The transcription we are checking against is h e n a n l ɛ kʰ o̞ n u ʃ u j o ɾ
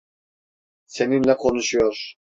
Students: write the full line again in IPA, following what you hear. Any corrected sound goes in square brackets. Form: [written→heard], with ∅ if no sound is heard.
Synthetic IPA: [h→s] e n [a→i] n l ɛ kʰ o̞ n u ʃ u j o ɾ